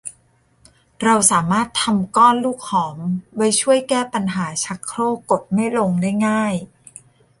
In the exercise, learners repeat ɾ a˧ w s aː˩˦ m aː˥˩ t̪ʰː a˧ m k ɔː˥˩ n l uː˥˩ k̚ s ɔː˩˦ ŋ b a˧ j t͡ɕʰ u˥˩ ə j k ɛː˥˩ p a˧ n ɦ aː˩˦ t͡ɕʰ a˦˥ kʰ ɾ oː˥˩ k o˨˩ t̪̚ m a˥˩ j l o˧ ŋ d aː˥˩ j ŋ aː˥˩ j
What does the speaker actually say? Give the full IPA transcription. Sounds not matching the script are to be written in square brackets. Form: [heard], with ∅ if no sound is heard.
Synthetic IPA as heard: ɾ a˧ w s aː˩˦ m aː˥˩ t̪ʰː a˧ m k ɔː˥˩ n l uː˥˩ k̚ [h] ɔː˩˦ [m] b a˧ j t͡ɕʰ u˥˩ ə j k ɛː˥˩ p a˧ n ɦ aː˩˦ t͡ɕʰ a˦˥ kʰ ɾ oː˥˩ k o˨˩ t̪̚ m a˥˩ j l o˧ ŋ d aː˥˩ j ŋ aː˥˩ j